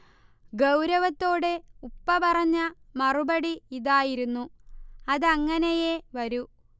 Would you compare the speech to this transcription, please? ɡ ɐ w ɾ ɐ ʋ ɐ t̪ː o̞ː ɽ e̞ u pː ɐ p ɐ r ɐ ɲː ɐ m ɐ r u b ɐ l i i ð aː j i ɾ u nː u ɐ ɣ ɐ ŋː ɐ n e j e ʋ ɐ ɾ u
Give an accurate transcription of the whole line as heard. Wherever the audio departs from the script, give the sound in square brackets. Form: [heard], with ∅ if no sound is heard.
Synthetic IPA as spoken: ɡ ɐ w ɾ ɐ ʋ ɐ t̪ː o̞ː ɽ e̞ u pː ɐ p ɐ r ɐ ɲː ɐ m ɐ r u b ɐ [ɽ] i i ð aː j i ɾ u nː u ɐ [ð] ɐ ŋː ɐ n e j e ʋ ɐ ɾ u